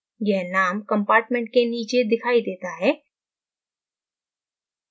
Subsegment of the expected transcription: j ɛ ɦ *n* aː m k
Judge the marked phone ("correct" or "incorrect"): correct